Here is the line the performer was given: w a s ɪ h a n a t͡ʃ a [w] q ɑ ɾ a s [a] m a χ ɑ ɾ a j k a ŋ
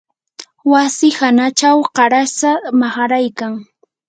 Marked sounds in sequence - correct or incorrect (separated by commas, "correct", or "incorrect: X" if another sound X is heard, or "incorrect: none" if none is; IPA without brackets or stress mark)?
correct, correct